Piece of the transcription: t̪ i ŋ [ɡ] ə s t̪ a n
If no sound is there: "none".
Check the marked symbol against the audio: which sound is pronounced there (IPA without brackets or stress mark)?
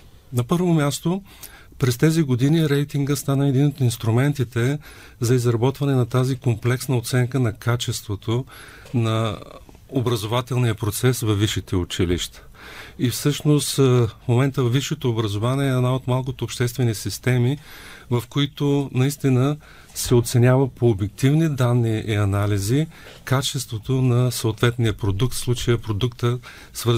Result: ɡ